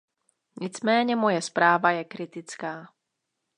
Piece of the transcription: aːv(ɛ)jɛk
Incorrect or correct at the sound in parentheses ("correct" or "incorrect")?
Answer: incorrect